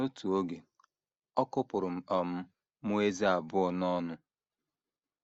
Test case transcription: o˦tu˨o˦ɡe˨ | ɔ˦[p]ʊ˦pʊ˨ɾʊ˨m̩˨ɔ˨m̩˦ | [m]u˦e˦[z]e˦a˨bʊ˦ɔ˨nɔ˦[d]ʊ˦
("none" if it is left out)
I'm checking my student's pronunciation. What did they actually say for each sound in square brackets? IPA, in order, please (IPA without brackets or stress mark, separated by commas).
k, m, z, n